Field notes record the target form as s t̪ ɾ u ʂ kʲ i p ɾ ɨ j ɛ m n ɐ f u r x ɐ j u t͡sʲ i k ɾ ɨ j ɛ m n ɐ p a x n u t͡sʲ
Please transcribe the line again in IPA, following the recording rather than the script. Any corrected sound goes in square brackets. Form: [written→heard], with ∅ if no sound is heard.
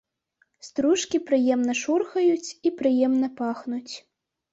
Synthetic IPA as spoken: s t̪ ɾ u ʂ kʲ i p ɾ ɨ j ɛ m n ɐ [f→ʂ] u r x ɐ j u t͡sʲ i [k→p] ɾ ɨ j ɛ m n ɐ p a x n u t͡sʲ